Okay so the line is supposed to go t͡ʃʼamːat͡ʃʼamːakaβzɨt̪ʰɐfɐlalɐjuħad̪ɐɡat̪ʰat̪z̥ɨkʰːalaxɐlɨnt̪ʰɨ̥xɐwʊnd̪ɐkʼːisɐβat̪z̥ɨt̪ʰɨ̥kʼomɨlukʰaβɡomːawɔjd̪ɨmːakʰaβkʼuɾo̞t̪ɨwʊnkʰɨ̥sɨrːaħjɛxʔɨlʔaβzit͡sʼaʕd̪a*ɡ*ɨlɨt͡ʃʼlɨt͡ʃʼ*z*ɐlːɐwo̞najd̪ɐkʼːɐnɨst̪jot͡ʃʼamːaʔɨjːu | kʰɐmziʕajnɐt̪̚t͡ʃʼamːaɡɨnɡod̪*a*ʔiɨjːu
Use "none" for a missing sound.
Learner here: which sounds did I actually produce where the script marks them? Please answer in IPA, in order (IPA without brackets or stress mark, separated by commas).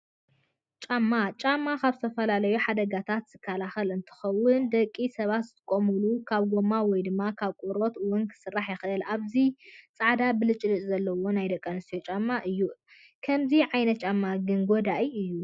b, z, a